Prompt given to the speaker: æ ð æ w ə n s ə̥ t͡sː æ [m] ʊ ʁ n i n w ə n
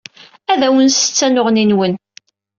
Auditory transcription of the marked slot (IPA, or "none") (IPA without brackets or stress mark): n